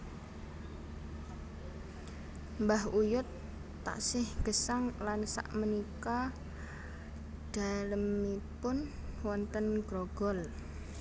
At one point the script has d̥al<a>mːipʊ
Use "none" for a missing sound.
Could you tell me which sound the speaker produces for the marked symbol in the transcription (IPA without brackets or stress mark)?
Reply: ə